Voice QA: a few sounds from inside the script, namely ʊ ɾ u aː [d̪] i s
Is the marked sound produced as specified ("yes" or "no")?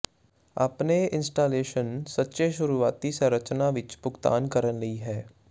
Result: no